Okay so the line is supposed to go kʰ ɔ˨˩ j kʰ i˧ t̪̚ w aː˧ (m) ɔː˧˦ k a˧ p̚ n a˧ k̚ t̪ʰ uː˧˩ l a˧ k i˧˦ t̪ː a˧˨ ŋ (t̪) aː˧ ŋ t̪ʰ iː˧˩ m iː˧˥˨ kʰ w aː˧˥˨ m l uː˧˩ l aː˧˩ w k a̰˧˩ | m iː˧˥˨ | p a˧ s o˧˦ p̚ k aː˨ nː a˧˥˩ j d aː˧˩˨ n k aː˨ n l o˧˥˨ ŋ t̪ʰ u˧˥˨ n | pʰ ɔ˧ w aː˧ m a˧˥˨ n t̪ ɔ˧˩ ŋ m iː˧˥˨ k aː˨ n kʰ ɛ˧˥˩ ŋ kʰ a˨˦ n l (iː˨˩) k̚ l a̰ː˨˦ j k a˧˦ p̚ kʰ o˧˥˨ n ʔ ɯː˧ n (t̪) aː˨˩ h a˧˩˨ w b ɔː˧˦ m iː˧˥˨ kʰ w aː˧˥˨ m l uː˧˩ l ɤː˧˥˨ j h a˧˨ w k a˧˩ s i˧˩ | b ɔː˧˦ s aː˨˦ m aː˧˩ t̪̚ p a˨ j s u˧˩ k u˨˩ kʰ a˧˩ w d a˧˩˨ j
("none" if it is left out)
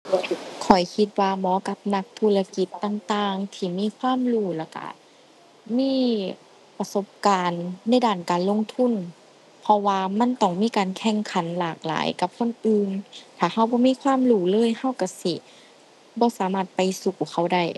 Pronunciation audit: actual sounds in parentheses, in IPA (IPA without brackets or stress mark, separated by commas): m, t̪, aː˨˩, t̪ʰ